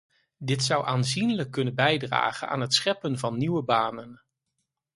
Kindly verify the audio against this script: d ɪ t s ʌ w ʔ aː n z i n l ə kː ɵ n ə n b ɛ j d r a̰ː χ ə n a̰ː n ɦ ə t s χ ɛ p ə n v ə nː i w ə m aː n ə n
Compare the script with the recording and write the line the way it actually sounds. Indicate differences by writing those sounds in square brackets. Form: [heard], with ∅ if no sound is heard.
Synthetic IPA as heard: d ɪ t s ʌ w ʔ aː n z i n l ə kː ɵ n ə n b ɛ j d r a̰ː χ ə n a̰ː n ɦ ə t s χ ɛ p ə n v [ɑ] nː i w ə [b] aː n ə n

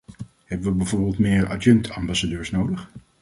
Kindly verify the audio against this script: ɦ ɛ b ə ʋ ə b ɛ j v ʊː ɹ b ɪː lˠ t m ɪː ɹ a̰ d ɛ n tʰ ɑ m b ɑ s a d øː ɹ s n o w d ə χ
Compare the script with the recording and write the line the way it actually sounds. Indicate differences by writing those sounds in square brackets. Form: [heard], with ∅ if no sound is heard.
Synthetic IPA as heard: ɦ ɛ b ə ʋ ə b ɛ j v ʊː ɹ b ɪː lˠ t m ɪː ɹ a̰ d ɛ n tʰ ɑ m b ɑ s a d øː ɹ s n o w d ə χ

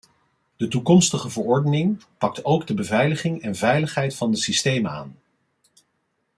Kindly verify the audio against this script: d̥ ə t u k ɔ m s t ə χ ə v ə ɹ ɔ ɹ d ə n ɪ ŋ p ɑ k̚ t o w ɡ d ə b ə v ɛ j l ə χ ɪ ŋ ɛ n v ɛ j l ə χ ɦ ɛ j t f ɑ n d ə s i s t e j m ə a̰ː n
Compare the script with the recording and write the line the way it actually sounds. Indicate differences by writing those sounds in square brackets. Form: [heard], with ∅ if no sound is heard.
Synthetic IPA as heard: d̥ ə t u k ɔ m s t ə χ ə v ə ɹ ɔ ɹ d ə n ɪ ŋ p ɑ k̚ t o w ɡ d ə b ə v ɛ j l ə χ ɪ ŋ ɛ n v ɛ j l ə χ ɦ ɛ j t f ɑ n d ə s i s t e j m ə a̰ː n

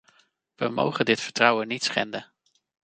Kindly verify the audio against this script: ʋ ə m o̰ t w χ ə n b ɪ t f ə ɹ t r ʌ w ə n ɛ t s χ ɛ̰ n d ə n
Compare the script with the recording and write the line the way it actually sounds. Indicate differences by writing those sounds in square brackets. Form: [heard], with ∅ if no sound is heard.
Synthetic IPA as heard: ʋ ə m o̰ [∅] w χ ə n [d] ɪ t f ə ɹ t r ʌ w ə n [i] t s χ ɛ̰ n d ə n

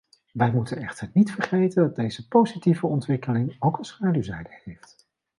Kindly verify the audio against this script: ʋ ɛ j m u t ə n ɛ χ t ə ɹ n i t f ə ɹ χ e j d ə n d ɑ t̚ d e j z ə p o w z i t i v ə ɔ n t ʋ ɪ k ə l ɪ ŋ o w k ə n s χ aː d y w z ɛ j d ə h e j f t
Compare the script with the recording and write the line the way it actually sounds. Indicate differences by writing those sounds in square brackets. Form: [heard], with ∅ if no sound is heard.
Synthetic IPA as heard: ʋ ɛ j m u t ə n ɛ χ t ə ɹ n i t f ə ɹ χ e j [t] ə n d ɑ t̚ d e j z ə p o w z i t i v ə ɔ n t ʋ ɪ k ə l ɪ ŋ o w k ə n s χ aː d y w z ɛ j d ə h e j f t

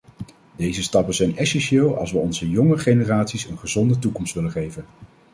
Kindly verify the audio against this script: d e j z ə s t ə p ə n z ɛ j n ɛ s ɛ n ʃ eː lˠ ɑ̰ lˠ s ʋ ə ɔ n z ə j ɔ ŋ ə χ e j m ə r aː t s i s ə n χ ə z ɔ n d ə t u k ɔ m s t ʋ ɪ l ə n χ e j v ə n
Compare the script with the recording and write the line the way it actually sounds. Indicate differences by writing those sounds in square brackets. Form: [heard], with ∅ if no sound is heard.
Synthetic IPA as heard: d e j z ə s t [ɑ] p ə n z ɛ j n ɛ s ɛ n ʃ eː lˠ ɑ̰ lˠ s ʋ ə ɔ n z ə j ɔ ŋ ə χ e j [n] ə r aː t s i s ə n χ ə z ɔ n d ə t u k ɔ m s t ʋ ɪ l ə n χ e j v ə n

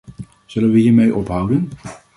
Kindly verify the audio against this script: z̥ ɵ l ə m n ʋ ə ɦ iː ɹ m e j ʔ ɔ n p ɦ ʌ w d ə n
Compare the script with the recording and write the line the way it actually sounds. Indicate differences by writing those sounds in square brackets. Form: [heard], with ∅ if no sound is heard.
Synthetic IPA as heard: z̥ ɵ l ə [∅] n ʋ ə ɦ iː ɹ m e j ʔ ɔ [∅] p ɦ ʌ w d ə n

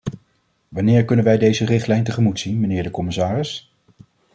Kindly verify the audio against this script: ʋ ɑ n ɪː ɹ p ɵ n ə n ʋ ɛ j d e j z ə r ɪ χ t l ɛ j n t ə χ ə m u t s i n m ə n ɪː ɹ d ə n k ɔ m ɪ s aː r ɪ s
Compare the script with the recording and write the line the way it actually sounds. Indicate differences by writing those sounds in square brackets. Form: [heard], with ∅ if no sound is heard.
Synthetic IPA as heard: ʋ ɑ n ɪː ɹ [k] ɵ n ə n ʋ ɛ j d e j z ə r ɪ χ t l ɛ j n t ə χ ə m u t s i n m ə n ɪː ɹ d ə [∅] k ɔ m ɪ s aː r ɪ s

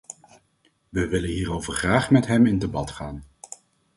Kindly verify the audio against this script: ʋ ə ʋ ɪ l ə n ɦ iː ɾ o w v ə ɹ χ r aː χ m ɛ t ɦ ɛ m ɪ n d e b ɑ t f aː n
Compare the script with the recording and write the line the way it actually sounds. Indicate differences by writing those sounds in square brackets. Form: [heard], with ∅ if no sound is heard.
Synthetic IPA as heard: ʋ ə ʋ ɪ l ə n ɦ iː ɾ o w v ə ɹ χ r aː χ m ɛ t ɦ ɛ m ɪ n d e b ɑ t [χ] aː n

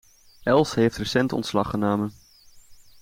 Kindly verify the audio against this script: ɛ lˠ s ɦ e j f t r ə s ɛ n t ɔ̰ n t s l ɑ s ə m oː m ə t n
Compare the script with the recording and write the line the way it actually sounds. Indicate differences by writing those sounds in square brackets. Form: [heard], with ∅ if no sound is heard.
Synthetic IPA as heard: ɛ lˠ s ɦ e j f t r ə s ɛ n t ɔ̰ n t s l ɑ [χ] ə [n] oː m ə [∅] n

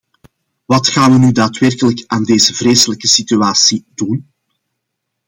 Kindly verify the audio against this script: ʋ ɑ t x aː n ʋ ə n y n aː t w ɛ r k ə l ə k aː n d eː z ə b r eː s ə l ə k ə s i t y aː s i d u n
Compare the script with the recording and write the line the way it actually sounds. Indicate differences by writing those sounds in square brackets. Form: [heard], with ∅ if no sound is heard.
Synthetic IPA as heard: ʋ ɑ t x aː n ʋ ə n y [d] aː t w ɛ r k ə l ə k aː n d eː z ə [v] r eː s ə l ə k ə s i t y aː s i d u n

